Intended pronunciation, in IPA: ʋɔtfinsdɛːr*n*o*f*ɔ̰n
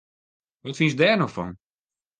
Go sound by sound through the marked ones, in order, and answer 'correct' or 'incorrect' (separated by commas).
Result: correct, correct